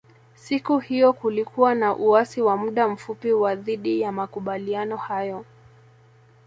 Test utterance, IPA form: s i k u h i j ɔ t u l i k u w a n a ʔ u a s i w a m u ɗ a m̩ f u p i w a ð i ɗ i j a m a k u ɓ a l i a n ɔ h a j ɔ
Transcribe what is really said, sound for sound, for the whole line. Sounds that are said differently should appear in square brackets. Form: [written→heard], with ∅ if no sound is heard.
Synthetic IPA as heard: s i k u h i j ɔ [t→k] u l i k u w a n a ʔ u a s i w a m u ɗ a m̩ f u p i w a ð i ɗ i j a m a k u ɓ a l i a n ɔ h a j ɔ